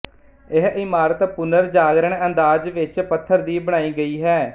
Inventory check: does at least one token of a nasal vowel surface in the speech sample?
no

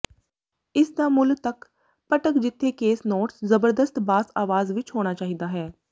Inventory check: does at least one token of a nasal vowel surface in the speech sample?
no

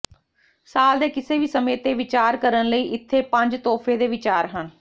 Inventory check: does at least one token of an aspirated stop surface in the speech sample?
yes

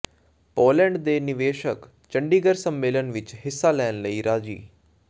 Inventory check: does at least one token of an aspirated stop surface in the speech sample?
no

